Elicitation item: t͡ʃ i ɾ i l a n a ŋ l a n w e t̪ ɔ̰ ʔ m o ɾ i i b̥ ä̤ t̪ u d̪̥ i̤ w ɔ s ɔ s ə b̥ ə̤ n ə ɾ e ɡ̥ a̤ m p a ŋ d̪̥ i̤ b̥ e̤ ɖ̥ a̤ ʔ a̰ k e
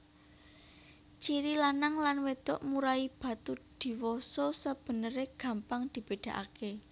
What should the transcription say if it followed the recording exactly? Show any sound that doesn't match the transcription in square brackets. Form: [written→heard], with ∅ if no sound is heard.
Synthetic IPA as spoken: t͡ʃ i ɾ i l a n a ŋ l a n w e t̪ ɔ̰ ʔ m [o→u] ɾ [i→a] i b̥ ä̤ t̪ u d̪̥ i̤ w ɔ s ɔ s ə b̥ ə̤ n ə ɾ e ɡ̥ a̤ m p a ŋ d̪̥ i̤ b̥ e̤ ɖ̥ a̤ ʔ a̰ k e

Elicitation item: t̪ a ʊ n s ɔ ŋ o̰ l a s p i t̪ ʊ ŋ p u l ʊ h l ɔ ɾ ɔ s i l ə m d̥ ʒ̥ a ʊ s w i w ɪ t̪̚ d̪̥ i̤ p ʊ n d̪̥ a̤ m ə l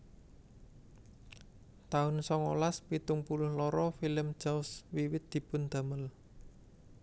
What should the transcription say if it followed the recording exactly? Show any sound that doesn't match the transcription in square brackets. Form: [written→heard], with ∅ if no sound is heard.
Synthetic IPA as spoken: t̪ a ʊ n s ɔ ŋ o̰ l a s p i t̪ ʊ ŋ p u l ʊ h l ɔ ɾ ɔ [s→f] i l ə m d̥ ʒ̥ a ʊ s w i w ɪ t̪̚ d̪̥ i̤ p ʊ n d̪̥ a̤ m ə l

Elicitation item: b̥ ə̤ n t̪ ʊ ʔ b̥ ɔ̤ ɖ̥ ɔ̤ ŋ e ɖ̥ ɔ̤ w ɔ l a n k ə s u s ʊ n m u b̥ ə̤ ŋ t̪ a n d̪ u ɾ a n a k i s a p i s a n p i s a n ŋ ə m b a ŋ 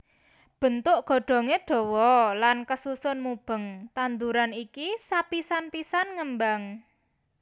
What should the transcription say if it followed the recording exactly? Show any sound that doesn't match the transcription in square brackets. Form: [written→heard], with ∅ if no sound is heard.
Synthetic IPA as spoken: b̥ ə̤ n t̪ ʊ ʔ [b̥→ɡ̥] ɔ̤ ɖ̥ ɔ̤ ŋ e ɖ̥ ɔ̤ w ɔ l a n k ə s u s ʊ n m u b̥ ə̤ ŋ t̪ a n d̪ u ɾ a n [a→i] k i s a p i s a n p i s a n ŋ ə m b a ŋ

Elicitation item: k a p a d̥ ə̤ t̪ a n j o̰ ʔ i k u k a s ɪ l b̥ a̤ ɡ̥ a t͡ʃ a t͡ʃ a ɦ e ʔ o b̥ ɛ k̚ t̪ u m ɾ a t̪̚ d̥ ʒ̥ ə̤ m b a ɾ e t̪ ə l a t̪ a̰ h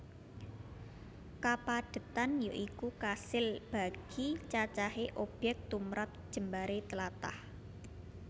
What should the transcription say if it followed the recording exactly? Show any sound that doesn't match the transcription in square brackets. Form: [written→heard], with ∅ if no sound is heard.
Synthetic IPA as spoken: k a p a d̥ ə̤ t̪ a n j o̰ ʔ i k u k a s ɪ l b̥ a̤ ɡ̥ [a→i] t͡ʃ a t͡ʃ a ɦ e ʔ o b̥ ɛ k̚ t̪ u m ɾ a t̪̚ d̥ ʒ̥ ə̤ m b a ɾ e t̪ ə l a t̪ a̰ h

